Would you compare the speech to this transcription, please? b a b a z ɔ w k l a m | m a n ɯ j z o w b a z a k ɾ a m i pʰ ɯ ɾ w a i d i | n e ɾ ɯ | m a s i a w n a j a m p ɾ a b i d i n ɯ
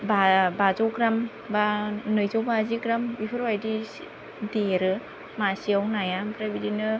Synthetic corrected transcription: b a b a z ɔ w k ɾ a m | b a n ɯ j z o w b a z i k ɾ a m i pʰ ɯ ɾ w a j d i | d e ɾ ɯ | m a s i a w n a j a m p ɾ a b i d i n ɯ